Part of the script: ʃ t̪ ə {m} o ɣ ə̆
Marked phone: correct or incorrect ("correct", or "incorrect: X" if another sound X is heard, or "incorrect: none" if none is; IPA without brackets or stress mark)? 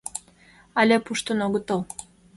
incorrect: n